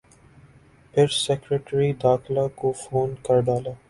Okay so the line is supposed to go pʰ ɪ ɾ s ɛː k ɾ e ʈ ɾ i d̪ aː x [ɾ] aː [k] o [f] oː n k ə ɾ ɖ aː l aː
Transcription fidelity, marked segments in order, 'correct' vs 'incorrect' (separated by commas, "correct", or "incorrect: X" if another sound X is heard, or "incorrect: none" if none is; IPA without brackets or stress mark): incorrect: l, correct, correct